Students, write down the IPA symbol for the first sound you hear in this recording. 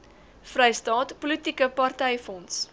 f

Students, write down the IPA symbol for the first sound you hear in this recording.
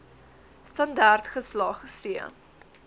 s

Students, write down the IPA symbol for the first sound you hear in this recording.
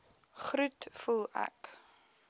χ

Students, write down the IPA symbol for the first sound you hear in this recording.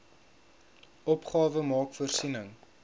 ɔ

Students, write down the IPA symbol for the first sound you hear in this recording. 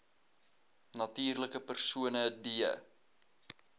n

